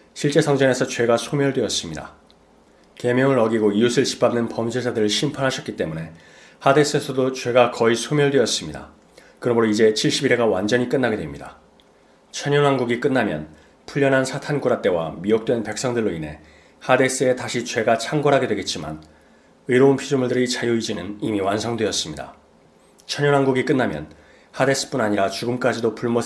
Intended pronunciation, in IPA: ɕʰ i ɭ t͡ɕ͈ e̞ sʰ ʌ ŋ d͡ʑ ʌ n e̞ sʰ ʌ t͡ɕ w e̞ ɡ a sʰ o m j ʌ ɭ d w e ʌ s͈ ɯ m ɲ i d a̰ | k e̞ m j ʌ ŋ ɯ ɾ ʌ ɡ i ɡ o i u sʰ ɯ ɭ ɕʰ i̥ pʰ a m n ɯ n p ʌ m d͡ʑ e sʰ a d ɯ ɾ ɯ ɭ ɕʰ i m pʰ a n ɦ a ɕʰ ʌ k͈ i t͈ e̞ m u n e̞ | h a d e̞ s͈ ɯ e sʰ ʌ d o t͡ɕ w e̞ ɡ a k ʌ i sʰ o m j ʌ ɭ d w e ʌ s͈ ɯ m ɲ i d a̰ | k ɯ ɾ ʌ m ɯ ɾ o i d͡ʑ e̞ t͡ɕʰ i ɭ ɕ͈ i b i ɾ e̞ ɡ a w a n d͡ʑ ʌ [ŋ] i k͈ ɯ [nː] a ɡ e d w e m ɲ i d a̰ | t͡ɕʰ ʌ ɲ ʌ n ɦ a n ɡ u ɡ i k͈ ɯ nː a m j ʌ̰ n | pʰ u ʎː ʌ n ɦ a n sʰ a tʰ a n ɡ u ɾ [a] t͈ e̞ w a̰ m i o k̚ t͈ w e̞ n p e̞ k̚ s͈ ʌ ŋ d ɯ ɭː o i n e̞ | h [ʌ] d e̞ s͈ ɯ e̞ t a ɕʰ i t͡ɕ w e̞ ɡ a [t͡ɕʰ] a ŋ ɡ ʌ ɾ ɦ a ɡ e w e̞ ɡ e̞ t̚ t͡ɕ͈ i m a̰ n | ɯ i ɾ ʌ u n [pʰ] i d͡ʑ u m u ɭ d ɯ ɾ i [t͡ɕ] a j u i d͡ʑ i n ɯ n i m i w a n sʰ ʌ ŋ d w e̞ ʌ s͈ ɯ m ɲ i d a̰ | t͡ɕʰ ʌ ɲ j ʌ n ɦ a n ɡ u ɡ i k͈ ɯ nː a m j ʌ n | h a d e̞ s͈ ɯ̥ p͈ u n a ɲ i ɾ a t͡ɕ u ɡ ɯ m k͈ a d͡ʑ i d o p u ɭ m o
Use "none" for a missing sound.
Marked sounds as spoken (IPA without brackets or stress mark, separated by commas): ɲ, nː, a, a, t͡ɕʰ, pʰ, t͡ɕ